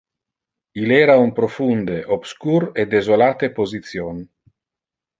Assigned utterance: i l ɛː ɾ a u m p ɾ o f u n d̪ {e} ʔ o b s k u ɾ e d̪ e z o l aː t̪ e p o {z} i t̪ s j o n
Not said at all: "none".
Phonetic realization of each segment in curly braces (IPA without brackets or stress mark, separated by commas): e, z